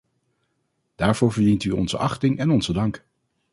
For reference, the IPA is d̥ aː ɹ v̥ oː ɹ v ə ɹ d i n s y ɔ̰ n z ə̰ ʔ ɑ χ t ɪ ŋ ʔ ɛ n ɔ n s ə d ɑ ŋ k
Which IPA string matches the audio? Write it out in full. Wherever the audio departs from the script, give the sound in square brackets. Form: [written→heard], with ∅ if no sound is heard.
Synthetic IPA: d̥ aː ɹ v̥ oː ɹ v ə ɹ d i n [s→t] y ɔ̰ n z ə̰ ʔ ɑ χ t ɪ ŋ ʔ ɛ n ɔ n [s→z] ə d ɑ ŋ k